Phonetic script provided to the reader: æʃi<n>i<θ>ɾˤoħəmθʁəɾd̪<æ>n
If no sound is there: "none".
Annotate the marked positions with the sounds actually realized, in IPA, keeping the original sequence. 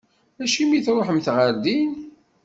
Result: m, θ, i

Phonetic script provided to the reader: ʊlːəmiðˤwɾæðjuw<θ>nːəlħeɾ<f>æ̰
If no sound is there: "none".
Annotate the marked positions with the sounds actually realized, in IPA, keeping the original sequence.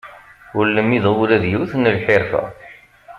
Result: θ, f

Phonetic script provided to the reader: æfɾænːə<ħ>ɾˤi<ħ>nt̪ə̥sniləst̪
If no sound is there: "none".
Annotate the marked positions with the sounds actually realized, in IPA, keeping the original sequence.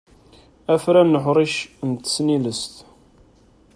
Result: ħ, ʃ

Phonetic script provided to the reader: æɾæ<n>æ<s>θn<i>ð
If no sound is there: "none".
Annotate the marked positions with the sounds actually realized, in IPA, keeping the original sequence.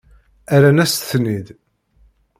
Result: n, s, i

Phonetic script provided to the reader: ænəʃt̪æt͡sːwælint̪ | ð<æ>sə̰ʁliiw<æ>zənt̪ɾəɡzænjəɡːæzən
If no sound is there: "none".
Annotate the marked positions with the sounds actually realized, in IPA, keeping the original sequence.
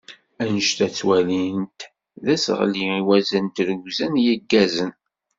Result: æ, æ

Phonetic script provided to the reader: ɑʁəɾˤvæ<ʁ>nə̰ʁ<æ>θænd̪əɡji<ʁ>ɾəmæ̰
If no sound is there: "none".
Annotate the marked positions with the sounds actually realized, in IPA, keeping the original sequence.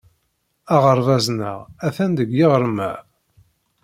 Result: z, æ, ʁ

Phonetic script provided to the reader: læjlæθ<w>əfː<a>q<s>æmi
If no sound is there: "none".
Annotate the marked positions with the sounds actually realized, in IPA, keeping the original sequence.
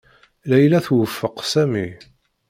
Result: w, ə, s

